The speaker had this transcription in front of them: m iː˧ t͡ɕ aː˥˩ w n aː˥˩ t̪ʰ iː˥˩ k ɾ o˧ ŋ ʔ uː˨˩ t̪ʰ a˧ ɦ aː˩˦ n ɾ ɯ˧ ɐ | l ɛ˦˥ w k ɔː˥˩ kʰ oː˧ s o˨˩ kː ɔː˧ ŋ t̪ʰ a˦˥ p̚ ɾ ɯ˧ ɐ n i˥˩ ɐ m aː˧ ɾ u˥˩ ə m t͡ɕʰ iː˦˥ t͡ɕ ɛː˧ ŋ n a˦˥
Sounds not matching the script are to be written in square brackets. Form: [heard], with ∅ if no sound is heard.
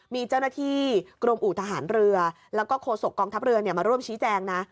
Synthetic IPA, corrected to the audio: m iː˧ t͡ɕ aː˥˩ w n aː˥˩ t̪ʰ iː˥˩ k ɾ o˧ [m] ʔ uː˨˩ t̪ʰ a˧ ɦ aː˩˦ n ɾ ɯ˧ ɐ | l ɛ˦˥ w k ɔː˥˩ kʰ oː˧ s o˨˩ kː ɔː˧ ŋ t̪ʰ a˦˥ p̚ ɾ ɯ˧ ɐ n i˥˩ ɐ m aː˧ ɾ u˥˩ ə m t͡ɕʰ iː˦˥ t͡ɕ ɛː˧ ŋ n a˦˥